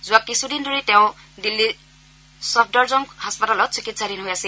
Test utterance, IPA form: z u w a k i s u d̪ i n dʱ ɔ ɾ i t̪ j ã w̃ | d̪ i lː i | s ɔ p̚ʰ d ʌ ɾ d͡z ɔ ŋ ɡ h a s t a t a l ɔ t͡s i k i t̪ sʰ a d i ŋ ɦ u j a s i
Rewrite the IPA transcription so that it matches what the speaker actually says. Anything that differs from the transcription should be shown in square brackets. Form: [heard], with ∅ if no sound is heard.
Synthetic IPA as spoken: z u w a k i s u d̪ i n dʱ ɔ ɾ i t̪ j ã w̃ | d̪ i lː i | s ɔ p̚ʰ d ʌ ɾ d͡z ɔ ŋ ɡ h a s [p] a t a l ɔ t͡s i k i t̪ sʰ a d i [n] ɦ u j a s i

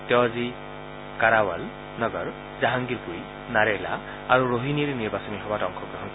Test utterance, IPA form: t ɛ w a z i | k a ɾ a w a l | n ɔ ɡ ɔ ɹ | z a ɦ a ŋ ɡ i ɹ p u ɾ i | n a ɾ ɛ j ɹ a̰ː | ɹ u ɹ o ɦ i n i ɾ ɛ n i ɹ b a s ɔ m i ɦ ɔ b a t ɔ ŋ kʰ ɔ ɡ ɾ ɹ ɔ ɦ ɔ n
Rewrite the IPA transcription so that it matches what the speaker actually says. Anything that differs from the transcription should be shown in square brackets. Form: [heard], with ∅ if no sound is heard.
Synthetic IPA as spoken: t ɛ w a z i | k a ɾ a w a l | n ɔ ɡ ɔ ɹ | z a ɦ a ŋ ɡ i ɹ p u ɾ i | n a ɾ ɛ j [l] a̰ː | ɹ u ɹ o ɦ i n i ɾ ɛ n i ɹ b a s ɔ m i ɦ ɔ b a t ɔ ŋ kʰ ɔ ɡ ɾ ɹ ɔ ɦ ɔ n

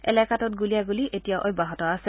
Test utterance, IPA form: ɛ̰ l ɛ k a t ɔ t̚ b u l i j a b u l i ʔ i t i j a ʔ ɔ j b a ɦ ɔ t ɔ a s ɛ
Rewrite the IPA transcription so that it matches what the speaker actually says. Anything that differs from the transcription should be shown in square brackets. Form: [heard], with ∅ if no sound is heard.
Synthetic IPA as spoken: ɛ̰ l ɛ k a t ɔ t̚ [ɡ] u l i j a [ɡ] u l i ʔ [e] t i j a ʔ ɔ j b a ɦ ɔ t ɔ a s ɛ

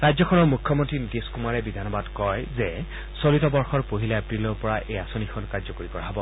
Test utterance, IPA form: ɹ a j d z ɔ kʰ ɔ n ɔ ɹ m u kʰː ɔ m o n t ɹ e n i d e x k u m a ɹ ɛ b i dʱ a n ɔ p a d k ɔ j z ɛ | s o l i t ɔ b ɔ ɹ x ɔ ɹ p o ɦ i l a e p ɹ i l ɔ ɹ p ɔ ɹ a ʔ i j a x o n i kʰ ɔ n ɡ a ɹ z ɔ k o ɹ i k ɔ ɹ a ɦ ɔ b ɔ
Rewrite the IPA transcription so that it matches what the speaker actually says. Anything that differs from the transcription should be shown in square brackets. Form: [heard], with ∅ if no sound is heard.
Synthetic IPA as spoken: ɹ a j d z ɔ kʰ ɔ n ɔ ɹ m u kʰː ɔ m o n t ɹ [i] n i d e [s] k u m a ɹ ɛ b i dʱ a n ɔ [b] a d k ɔ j z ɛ | s o l i t ɔ b ɔ ɹ x ɔ ɹ p o ɦ i l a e p ɹ i l ɔ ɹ p ɔ ɹ a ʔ [e] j a [s] o n i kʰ ɔ n [k] a ɹ z ɔ k o ɹ i k ɔ ɹ a ɦ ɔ b ɔ

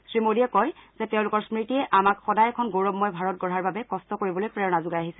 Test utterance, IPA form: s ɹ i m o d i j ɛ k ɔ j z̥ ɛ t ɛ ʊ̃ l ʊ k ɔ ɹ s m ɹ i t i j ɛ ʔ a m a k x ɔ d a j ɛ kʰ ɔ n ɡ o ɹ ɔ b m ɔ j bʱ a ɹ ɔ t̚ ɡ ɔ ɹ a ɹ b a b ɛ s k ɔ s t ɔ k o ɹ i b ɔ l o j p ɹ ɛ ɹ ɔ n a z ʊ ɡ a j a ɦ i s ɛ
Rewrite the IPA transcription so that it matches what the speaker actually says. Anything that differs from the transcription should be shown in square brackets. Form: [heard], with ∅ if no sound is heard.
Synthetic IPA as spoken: s ɹ i m o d i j ɛ k ɔ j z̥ ɛ t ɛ ʊ̃ l ʊ k ɔ ɹ s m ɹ i t i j ɛ ʔ a m a k x ɔ d a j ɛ kʰ ɔ n ɡ o ɹ ɔ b m ɔ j bʱ a ɹ ɔ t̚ ɡ ɔ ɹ a ɹ b a b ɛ [∅] k ɔ s t ɔ k o ɹ i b ɔ l o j p ɹ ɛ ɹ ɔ n a z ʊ ɡ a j a ɦ i s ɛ

